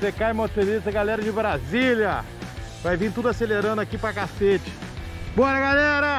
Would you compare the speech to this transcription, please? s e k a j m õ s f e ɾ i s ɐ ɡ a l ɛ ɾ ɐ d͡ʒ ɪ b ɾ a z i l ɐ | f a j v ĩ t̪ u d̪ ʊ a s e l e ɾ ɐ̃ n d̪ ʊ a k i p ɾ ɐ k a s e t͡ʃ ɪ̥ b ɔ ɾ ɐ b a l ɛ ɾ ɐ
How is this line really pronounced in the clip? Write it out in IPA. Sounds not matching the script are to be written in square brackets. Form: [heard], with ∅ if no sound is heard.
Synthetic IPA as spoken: s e k a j m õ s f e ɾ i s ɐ ɡ a l ɛ ɾ ɐ d͡ʒ ɪ b ɾ a z i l ɐ | [v] a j v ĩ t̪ u d̪ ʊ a s e l e ɾ ɐ̃ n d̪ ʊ a k i p ɾ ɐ k a s e t͡ʃ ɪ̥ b ɔ ɾ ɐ [ɡ] a l ɛ ɾ ɐ

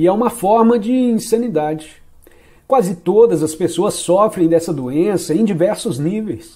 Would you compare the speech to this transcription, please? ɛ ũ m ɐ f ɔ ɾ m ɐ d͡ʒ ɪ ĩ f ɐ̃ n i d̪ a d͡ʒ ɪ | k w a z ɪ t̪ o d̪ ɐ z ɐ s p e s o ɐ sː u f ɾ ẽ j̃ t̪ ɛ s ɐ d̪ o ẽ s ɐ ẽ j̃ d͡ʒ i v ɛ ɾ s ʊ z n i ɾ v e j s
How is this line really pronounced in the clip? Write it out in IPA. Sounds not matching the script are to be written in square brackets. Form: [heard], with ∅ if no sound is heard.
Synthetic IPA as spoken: ɛ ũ m ɐ f ɔ ɾ m ɐ d͡ʒ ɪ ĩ [s] ɐ̃ n i d̪ a d͡ʒ ɪ | k w a z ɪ t̪ o d̪ ɐ z ɐ s p e s o ɐ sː [ɔ] f ɾ ẽ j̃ [d̪] ɛ s ɐ d̪ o ẽ s ɐ ẽ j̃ d͡ʒ i v ɛ ɾ s ʊ z n i [∅] v e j s

